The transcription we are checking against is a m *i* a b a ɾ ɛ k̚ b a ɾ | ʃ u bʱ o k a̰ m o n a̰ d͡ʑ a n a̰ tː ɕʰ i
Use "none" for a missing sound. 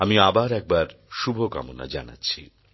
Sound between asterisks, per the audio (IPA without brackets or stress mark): i